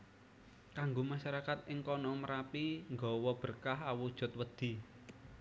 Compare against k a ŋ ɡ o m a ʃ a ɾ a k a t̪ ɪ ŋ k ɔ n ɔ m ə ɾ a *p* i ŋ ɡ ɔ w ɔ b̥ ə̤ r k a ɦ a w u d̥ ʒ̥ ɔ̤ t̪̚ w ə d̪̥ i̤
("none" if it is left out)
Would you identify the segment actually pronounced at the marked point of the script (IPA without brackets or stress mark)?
p